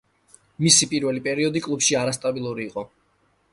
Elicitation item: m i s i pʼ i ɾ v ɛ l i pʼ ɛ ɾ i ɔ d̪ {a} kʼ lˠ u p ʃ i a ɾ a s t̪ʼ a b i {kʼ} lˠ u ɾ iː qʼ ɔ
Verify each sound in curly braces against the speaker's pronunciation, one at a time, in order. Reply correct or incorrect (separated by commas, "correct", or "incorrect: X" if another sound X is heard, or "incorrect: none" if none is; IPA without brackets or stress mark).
incorrect: i, incorrect: none